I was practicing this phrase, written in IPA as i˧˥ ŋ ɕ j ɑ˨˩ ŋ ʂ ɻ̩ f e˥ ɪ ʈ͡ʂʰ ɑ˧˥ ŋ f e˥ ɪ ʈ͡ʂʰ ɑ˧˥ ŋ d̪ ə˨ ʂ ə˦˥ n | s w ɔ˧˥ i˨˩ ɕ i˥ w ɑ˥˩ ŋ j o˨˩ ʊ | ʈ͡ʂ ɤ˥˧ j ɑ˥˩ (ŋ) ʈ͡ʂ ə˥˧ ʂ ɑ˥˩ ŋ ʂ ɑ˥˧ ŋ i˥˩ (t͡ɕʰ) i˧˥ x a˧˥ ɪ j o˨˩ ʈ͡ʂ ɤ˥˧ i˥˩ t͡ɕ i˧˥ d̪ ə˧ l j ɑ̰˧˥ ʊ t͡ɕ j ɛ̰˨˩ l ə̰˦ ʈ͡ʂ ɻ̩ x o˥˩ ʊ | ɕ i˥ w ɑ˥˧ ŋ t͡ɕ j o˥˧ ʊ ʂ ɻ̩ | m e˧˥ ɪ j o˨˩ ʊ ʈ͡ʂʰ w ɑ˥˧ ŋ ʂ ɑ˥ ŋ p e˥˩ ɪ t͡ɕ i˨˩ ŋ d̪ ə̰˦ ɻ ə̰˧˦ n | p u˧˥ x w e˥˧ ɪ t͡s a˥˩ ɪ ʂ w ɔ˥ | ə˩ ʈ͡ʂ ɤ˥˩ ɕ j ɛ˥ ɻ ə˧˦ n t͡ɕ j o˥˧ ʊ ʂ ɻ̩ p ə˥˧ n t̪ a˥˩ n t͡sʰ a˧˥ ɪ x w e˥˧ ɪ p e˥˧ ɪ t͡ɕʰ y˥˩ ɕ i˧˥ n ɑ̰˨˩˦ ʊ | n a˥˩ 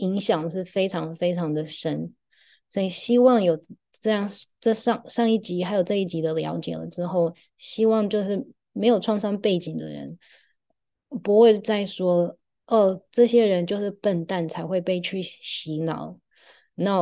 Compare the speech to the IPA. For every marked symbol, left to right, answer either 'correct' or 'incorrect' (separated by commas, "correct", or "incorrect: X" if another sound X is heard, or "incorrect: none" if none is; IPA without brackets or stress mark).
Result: correct, incorrect: t͡ɕ